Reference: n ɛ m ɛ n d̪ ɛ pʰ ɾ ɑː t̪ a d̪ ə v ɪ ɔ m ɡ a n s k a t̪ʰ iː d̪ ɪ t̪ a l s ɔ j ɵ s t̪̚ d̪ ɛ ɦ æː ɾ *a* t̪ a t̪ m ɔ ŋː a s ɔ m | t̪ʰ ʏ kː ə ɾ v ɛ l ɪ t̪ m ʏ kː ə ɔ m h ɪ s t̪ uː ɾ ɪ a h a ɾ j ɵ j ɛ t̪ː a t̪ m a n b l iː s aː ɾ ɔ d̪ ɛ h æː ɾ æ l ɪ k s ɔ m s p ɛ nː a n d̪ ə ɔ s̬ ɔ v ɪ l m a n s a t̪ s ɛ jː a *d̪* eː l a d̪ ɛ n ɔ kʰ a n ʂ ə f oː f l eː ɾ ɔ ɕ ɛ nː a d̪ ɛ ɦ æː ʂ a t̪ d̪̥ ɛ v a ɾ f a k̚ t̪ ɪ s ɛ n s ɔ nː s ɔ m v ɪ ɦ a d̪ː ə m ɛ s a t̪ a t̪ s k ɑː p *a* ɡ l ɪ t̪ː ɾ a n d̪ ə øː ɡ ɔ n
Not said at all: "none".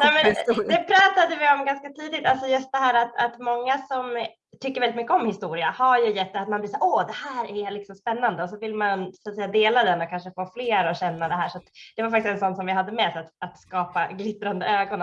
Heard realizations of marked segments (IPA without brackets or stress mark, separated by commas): a, d̪, a